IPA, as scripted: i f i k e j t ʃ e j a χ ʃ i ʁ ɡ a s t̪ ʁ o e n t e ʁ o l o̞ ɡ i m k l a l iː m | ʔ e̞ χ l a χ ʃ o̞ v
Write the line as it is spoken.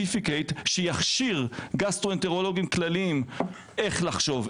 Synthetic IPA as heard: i f i k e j t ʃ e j a χ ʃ i ʁ ɡ a s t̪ ʁ o e n t e ʁ o l o̞ ɡ i m k l a l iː m | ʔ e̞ χ l a χ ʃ o̞ v